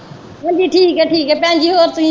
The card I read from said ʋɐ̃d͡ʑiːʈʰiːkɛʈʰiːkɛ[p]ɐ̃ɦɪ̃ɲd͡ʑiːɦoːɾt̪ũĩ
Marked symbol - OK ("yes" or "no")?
yes